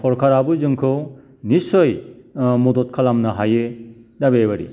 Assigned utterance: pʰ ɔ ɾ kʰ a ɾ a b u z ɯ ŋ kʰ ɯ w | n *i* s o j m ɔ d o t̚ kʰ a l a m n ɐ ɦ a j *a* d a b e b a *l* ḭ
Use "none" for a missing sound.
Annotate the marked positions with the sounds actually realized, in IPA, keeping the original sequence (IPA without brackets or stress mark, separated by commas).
i, e, ɾ